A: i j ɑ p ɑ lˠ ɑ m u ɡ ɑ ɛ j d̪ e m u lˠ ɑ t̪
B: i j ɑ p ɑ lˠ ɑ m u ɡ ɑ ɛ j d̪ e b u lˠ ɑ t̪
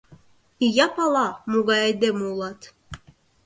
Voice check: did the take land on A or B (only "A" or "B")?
A